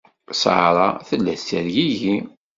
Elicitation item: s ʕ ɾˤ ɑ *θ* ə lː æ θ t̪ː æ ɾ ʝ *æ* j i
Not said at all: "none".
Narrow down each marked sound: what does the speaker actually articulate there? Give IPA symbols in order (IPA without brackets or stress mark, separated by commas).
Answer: θ, i